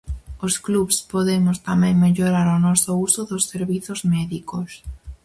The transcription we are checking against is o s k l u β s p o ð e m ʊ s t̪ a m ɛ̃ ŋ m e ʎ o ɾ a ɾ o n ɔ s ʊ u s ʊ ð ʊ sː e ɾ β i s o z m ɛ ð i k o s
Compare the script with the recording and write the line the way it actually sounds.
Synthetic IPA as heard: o s k l u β s p o ð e m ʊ s t̪ a m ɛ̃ ŋ m e ʎ o ɾ a ɾ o n ɔ s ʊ u s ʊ ð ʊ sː e ɾ β i θ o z m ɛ ð i k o s